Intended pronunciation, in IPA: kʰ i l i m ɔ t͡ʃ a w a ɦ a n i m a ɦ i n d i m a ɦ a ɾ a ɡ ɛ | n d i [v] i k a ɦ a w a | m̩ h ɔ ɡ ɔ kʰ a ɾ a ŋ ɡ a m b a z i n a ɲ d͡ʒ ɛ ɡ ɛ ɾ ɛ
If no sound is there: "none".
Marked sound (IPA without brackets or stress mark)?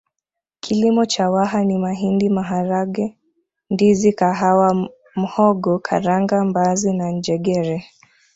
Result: z